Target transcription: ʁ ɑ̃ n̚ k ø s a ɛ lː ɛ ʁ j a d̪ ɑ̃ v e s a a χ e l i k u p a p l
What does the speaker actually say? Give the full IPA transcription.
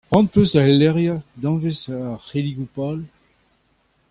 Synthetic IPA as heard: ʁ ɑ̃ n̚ p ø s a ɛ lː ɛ ʁ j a d̪ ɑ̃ v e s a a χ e l i ɡ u p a l